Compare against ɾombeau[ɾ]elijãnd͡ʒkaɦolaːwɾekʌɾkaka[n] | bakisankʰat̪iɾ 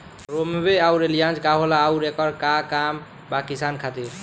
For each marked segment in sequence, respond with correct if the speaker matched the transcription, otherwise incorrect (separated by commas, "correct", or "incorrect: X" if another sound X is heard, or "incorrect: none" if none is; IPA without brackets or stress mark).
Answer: correct, incorrect: m